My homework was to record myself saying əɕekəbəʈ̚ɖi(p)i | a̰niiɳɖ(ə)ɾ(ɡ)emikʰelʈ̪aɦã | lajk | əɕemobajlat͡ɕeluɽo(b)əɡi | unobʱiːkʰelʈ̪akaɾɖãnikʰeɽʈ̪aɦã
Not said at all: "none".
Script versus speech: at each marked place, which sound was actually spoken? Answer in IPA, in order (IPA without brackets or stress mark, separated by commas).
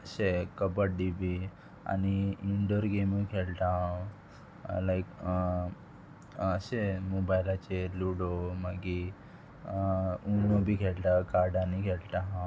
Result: b, ə, ɡ, m